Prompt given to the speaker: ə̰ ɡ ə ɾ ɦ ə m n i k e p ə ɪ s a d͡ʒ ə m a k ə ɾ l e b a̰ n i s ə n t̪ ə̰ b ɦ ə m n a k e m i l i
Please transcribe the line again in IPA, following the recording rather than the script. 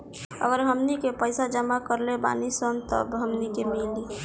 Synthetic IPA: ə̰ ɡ ə ɾ ɦ ə m n i k e p ə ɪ s a d͡ʒ ə m a k ə ɾ l e b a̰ n i s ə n t̪ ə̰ b ɦ ə m n i k e m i l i